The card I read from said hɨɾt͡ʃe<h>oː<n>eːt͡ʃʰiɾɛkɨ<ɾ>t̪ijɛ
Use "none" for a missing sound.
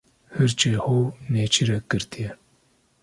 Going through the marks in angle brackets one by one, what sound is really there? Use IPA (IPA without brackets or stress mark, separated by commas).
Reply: h, n, ɾ